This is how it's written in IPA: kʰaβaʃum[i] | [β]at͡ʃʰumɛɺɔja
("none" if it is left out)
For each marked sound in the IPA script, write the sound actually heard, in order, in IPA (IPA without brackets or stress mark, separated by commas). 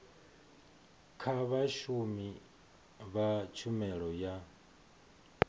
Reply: i, β